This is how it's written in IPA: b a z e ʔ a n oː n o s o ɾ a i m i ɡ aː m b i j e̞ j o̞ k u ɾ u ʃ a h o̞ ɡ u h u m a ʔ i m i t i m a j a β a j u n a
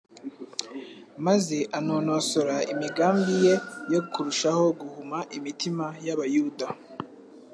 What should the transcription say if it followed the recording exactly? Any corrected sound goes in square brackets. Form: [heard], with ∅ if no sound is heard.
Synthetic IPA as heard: [m] a z e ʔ a n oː n o s o ɾ a i m i ɡ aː m b i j e̞ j o̞ k u ɾ u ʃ a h o̞ ɡ u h u m a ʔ i m i t i m a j a β a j u [d] a